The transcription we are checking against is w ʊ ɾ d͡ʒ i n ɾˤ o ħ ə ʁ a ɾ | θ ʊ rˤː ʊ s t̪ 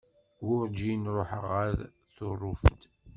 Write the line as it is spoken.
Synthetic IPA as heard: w ʊ ɾ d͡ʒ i n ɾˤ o ħ ə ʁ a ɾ | θ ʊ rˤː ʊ f t̪